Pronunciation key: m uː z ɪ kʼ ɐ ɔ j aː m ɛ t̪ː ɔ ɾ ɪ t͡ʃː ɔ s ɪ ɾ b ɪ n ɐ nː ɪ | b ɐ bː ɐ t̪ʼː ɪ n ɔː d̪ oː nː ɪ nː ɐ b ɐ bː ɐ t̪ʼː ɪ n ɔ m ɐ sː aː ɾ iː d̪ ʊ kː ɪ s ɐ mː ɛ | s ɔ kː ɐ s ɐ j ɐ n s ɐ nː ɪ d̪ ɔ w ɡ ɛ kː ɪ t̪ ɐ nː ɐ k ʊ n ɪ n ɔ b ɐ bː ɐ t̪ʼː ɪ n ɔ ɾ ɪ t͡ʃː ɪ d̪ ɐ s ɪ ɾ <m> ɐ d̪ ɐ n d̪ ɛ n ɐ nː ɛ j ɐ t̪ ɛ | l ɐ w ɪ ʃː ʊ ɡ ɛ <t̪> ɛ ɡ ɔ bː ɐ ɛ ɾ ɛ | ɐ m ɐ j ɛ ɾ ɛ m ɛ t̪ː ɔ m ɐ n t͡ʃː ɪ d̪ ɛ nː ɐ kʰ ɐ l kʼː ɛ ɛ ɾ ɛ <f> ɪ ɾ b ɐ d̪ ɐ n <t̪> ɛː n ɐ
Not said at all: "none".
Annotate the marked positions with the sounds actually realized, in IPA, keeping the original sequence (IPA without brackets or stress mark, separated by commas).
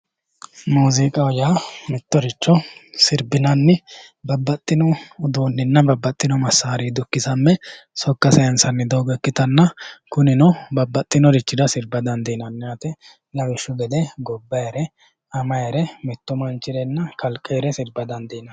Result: b, d̪, s, d̪